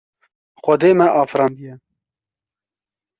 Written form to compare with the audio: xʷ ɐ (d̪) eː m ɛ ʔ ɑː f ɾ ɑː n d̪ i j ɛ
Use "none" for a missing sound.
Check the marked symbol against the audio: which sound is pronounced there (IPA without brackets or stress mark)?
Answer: d̪